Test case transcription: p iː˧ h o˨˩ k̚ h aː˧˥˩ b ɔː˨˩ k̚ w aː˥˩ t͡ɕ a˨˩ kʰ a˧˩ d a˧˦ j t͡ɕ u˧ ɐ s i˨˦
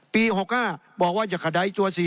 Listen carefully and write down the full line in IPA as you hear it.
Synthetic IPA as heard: p iː˧ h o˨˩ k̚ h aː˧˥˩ b ɔː˨˩ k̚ w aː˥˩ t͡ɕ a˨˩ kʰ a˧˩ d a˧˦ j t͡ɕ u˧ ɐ s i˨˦